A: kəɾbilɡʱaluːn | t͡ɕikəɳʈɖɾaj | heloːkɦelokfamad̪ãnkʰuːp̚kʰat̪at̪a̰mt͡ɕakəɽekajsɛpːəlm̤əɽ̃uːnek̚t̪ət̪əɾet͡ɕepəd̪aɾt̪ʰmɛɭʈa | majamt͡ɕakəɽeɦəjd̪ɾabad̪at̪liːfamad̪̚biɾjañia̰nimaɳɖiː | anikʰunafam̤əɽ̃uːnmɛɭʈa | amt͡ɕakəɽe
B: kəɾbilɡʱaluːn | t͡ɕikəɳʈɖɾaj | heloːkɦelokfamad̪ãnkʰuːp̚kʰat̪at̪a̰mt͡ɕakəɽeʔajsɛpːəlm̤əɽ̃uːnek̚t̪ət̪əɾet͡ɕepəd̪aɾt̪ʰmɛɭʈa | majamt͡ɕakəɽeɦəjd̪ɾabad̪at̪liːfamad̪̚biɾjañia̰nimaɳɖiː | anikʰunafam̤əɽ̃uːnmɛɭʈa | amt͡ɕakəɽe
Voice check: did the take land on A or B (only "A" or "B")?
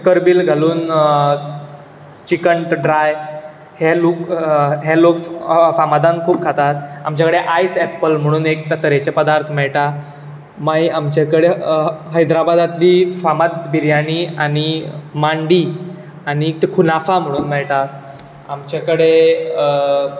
B